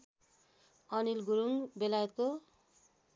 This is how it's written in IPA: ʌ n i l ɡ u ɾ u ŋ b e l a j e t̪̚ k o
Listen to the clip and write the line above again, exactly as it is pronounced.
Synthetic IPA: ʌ n i l ɡ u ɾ u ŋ b e l a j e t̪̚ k o